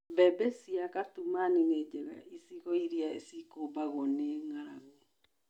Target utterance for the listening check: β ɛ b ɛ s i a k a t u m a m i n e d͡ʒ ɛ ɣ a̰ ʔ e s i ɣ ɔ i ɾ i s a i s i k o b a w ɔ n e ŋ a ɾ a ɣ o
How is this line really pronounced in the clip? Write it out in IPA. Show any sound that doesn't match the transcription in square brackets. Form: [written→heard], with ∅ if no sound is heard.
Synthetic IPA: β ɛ b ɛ s i a k a t u m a [m→n] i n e d͡ʒ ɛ ɣ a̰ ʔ [e→i] s i ɣ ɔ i ɾ i [s→∅] a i s i k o b a [w→ɣ] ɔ n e ŋ a ɾ a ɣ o